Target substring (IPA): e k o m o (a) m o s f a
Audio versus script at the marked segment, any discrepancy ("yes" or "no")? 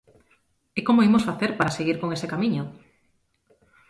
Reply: yes